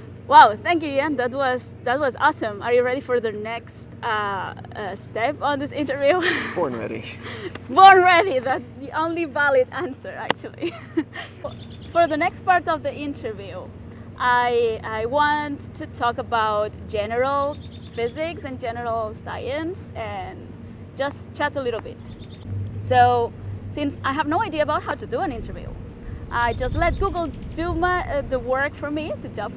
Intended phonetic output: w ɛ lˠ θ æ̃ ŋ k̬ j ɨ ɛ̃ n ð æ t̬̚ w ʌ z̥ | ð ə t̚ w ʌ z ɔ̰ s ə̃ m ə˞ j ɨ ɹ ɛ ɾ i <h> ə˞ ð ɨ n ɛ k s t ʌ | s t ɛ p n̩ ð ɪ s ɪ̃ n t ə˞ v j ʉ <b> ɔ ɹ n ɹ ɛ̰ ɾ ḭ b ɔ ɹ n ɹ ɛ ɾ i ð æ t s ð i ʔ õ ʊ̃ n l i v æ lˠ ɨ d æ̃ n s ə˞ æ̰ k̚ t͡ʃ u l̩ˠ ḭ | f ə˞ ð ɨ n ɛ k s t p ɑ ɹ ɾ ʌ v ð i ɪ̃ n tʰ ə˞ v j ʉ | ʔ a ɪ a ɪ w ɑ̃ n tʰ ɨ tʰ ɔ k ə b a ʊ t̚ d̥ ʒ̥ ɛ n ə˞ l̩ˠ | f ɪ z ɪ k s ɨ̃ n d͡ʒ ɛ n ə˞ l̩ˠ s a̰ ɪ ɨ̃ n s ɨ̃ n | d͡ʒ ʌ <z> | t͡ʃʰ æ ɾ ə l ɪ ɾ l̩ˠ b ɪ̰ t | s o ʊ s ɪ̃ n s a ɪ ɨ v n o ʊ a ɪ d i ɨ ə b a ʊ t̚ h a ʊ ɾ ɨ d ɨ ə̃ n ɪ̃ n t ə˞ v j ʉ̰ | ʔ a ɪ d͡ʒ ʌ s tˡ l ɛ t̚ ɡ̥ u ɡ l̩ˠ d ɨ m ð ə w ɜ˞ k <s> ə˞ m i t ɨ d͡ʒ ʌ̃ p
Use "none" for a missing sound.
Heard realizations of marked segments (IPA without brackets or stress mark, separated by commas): f, b, s, f